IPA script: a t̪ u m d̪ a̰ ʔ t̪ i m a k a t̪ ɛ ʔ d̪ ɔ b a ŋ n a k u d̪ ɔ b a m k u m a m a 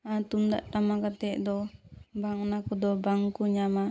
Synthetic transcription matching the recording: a t̪ u m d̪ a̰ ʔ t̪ a m a k a t̪ ɛ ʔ d̪ ɔ b a ŋ n a k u d̪ ɔ b a ŋ k u ɲ a m a